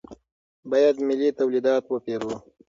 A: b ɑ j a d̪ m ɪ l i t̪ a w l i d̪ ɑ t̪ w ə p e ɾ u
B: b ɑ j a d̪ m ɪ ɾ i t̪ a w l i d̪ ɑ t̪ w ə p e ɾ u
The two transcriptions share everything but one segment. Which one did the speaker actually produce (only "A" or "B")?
A